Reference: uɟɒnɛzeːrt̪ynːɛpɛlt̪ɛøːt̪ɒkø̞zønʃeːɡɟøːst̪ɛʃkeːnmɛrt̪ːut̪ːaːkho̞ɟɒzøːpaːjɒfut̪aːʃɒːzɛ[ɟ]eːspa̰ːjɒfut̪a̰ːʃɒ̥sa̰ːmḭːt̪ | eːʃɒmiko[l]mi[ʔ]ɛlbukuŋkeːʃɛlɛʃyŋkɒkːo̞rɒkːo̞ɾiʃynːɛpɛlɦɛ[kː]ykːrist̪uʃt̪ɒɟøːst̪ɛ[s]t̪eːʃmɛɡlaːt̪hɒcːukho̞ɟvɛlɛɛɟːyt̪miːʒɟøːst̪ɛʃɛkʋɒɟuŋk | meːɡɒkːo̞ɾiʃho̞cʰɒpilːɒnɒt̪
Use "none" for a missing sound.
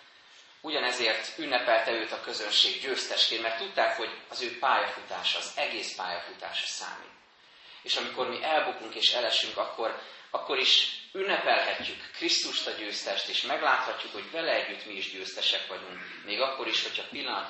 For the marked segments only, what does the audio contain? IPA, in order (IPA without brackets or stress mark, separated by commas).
ɡ, r, ʔ, cː, ʃ